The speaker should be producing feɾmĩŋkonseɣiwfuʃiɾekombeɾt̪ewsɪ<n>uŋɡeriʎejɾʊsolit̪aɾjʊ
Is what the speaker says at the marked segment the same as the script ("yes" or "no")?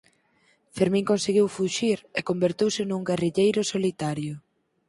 yes